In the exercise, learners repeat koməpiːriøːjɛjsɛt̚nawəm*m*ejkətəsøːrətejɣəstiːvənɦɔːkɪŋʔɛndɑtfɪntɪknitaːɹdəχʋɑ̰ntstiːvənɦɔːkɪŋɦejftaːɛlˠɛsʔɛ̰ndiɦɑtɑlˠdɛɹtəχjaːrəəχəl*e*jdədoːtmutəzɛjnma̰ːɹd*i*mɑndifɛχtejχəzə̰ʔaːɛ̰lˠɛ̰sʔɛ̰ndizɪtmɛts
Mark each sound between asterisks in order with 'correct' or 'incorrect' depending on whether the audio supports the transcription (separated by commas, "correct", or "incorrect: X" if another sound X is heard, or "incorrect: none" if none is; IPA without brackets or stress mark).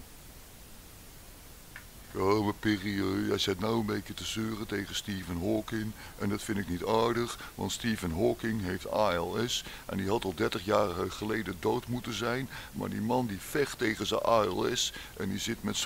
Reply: incorrect: b, correct, correct